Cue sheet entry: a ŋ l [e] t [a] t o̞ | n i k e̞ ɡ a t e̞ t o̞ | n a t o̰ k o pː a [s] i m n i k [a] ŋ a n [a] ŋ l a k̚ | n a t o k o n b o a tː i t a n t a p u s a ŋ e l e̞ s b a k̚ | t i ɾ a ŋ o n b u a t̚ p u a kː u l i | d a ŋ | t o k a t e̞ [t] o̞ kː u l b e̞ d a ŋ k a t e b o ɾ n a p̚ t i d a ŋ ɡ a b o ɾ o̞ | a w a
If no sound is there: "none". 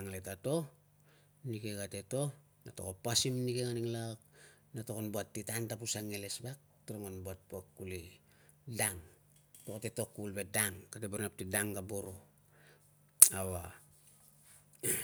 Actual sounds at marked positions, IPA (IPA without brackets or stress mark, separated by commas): e, a, s, e, i, t